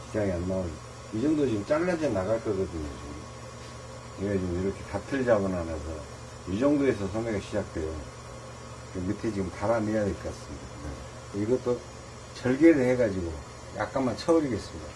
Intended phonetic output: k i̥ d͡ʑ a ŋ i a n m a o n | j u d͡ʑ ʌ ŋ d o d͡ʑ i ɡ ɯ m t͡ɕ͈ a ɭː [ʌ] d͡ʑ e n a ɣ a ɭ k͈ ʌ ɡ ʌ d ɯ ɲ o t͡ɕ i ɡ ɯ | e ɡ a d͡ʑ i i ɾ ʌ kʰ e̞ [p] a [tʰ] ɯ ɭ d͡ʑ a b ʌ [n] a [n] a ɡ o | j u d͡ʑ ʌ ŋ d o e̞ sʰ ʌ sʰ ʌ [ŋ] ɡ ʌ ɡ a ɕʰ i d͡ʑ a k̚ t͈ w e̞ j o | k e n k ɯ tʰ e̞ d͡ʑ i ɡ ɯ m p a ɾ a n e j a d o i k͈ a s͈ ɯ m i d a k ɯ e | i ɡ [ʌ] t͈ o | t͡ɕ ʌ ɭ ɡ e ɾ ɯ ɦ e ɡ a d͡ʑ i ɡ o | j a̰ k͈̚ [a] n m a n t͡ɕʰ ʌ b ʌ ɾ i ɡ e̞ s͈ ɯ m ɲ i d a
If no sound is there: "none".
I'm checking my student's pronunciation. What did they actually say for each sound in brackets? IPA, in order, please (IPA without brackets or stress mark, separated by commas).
a, t, tʰ, n, n, ŋ, ʌ, a